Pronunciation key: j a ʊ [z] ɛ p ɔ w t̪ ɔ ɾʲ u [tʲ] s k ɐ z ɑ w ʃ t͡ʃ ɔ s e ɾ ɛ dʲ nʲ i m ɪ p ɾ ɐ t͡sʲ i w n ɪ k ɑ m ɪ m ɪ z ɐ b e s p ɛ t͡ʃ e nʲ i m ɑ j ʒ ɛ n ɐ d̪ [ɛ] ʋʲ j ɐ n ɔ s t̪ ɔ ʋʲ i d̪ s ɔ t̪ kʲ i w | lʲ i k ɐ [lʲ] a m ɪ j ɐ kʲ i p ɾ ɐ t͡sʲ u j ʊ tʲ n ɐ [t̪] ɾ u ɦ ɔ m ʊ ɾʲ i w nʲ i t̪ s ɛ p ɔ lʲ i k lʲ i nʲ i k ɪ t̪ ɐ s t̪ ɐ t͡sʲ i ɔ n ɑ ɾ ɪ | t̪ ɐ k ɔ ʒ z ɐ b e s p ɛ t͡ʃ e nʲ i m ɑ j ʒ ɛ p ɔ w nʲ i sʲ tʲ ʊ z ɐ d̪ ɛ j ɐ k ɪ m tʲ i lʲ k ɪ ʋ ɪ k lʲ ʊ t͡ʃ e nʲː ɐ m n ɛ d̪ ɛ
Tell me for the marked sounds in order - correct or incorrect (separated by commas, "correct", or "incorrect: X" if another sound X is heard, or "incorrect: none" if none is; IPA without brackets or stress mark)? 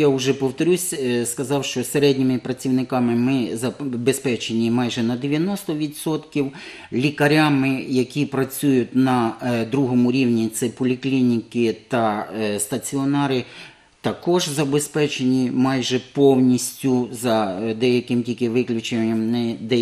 incorrect: ʒ, incorrect: sʲ, incorrect: e, incorrect: ɾʲ, incorrect: d̪